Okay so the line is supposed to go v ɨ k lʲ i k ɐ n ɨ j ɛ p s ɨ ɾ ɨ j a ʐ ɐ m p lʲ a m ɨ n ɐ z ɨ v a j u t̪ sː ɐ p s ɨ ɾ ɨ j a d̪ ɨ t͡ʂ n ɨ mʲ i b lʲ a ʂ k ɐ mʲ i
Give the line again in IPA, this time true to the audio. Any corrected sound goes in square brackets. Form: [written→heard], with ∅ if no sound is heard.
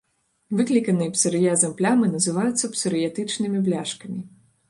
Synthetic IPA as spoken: v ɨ k lʲ i k ɐ n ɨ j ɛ p s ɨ ɾ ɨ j a [ʐ→z] ɐ m p lʲ a m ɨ n ɐ z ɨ v a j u t̪ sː ɐ p s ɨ ɾ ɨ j a [d̪→t̪] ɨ t͡ʂ n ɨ mʲ i b lʲ a ʂ k ɐ mʲ i